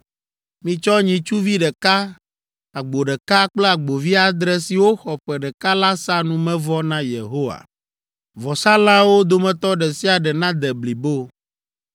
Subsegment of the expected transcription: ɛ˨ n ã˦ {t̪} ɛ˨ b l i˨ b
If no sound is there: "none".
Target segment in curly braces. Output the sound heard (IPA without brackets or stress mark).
d̪